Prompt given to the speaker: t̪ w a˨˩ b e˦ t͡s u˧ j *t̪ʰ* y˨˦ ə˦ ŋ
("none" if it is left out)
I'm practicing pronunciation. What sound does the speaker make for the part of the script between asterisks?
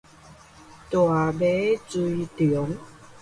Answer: t̪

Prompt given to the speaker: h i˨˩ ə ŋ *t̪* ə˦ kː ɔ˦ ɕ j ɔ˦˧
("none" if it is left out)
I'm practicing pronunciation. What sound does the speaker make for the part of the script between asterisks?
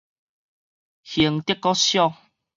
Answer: t̪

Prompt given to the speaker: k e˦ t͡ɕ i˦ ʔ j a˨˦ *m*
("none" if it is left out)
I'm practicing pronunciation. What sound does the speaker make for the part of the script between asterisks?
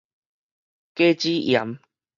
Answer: m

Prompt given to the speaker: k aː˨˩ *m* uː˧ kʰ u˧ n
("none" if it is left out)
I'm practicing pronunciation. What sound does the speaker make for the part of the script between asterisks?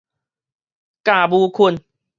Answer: b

